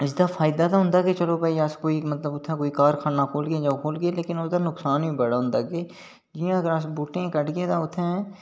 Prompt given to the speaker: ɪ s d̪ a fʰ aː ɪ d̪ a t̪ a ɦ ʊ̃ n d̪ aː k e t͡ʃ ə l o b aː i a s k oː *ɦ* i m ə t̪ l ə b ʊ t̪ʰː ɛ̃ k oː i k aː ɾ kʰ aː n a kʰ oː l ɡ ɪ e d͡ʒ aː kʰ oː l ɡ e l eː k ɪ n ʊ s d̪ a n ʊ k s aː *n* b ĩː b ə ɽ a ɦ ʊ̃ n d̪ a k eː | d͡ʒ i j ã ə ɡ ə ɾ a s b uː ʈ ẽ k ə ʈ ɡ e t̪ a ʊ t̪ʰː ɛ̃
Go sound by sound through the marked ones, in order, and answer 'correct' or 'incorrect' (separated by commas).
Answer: incorrect, correct